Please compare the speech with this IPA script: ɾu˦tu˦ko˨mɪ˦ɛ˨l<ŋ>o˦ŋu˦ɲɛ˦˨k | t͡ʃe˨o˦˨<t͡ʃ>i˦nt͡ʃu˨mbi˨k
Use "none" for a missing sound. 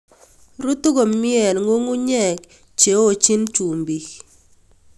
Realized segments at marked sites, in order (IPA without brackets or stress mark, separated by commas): ŋ, t͡ʃ